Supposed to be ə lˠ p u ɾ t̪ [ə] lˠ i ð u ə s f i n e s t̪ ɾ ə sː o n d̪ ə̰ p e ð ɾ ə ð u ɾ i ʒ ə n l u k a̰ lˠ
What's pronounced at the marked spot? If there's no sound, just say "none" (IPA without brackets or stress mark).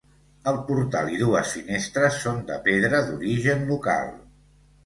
a